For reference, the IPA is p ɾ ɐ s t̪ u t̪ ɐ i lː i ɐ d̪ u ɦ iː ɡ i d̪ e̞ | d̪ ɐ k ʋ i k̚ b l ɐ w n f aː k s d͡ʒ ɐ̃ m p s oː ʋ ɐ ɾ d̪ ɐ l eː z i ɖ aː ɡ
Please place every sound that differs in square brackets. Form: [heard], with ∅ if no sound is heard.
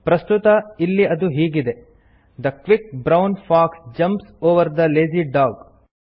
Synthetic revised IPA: p ɾ ɐ s t̪ u t̪ ɐ i lː i ɐ d̪ u ɦ iː ɡ i d̪ e̞ | d̪ ɐ k ʋ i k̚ b [ɾ] ɐ w n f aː k s d͡ʒ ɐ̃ m p s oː ʋ ɐ ɾ d̪ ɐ l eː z i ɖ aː ɡ